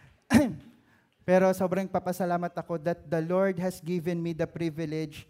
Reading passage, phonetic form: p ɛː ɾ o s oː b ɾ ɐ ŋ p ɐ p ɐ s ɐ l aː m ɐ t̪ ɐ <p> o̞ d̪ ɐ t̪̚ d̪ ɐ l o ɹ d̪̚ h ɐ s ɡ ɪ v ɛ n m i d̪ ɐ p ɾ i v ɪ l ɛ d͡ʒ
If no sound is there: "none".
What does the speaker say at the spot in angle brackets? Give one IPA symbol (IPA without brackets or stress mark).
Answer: k